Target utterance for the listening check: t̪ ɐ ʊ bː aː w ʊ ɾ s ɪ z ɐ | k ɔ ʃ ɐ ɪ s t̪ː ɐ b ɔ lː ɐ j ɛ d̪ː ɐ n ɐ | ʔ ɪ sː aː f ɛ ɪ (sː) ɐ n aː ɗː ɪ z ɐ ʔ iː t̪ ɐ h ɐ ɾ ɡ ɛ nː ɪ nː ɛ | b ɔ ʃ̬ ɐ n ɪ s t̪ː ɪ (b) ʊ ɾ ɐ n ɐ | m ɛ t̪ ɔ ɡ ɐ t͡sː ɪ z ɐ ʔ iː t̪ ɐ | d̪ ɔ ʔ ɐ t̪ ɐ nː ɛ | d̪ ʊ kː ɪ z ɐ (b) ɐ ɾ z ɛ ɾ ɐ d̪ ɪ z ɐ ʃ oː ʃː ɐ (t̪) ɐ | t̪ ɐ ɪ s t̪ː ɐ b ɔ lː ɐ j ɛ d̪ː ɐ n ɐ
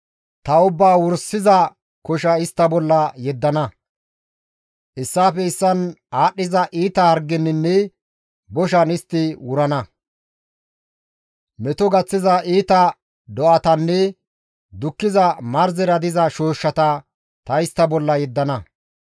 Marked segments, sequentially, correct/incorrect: correct, incorrect: w, incorrect: m, correct

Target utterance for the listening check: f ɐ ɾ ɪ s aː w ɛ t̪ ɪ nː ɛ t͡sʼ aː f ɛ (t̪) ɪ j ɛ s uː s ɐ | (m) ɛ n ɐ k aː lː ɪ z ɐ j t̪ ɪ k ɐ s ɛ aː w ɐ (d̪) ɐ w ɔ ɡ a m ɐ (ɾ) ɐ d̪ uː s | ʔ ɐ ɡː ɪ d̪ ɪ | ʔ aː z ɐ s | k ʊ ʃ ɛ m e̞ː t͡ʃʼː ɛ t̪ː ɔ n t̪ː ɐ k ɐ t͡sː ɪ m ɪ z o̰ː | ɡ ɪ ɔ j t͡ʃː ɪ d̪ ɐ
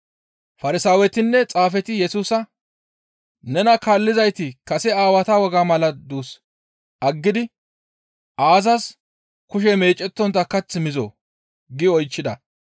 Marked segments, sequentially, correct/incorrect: correct, incorrect: n, incorrect: t̪, incorrect: l

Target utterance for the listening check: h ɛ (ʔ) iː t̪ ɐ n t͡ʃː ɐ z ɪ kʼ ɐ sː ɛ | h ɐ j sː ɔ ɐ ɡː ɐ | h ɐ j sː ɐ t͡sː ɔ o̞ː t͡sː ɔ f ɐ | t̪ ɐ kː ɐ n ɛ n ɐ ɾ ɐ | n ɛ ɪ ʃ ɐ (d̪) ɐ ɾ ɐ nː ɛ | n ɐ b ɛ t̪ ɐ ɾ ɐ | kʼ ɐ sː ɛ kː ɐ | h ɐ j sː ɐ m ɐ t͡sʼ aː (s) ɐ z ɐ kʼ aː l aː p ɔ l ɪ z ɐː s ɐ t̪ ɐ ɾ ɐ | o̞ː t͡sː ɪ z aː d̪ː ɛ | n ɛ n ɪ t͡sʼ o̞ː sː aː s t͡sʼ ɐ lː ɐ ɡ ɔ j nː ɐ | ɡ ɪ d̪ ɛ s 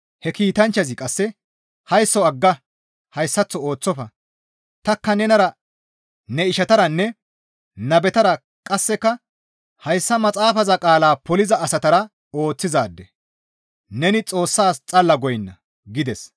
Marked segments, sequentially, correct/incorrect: incorrect: k, incorrect: t̪, incorrect: f

